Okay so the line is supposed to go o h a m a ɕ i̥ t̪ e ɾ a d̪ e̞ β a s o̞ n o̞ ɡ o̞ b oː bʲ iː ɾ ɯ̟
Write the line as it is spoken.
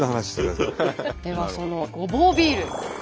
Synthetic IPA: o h a n a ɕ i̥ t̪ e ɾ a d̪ e̞ β a s o̞ n o̞ ɡ o̞ b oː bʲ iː ɾ ɯ̟